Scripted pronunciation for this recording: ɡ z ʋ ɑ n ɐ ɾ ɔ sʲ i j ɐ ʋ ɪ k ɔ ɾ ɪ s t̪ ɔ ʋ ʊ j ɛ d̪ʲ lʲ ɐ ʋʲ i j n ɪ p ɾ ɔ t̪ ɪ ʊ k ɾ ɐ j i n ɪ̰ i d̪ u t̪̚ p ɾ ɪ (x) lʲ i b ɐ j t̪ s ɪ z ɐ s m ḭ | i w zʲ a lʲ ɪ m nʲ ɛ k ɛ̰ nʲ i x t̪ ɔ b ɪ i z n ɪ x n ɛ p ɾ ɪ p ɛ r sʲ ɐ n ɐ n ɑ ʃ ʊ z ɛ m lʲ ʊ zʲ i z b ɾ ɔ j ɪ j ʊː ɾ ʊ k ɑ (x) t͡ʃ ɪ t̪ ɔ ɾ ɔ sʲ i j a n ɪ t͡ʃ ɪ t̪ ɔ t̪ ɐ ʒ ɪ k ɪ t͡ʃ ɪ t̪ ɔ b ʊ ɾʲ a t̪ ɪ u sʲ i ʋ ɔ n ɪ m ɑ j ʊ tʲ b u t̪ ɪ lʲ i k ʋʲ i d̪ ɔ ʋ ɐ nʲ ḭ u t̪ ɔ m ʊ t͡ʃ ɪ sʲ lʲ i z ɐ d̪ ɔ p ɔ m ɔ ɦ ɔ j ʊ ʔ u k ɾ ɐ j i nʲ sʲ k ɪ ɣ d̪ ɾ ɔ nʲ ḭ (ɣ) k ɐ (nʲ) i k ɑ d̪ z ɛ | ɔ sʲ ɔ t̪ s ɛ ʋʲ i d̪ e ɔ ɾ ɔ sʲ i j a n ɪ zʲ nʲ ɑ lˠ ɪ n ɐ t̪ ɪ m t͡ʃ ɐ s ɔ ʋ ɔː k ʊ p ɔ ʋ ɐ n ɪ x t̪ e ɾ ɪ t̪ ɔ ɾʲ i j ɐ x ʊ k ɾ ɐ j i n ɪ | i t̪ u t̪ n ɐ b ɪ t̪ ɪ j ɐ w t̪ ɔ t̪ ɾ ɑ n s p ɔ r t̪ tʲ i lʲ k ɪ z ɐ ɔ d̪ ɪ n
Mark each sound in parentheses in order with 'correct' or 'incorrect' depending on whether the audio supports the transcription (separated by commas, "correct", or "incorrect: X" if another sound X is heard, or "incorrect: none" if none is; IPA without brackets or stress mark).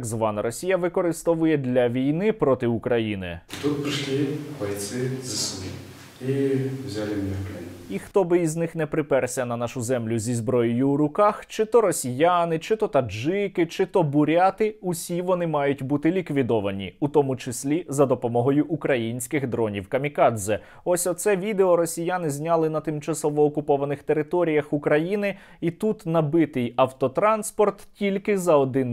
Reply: incorrect: ʃ, correct, incorrect: w, incorrect: mʲ